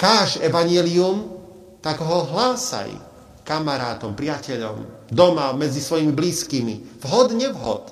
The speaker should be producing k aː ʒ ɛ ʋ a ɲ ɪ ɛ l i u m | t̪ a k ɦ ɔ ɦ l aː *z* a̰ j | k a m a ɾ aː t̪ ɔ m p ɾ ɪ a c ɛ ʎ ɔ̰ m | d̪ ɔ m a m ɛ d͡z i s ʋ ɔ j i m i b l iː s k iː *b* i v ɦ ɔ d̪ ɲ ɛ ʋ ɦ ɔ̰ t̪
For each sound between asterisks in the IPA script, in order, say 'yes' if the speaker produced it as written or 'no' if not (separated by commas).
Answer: no, no